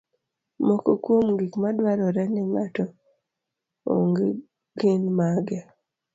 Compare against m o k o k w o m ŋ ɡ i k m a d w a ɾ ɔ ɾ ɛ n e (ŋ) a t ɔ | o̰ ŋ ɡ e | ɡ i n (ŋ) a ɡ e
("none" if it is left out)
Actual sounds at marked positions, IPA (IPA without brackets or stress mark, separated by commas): ŋ, m